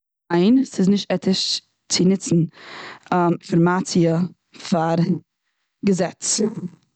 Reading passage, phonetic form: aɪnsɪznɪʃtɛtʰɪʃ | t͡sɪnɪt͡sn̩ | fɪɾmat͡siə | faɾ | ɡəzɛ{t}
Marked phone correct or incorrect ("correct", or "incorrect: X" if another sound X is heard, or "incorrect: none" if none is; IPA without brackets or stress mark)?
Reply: incorrect: t͡s